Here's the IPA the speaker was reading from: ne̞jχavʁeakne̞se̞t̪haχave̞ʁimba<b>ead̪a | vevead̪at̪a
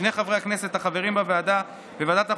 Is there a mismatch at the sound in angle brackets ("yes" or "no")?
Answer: yes